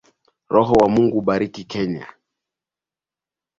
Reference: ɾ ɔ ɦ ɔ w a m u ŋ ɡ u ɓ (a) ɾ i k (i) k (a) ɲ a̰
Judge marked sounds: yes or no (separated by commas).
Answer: yes, yes, no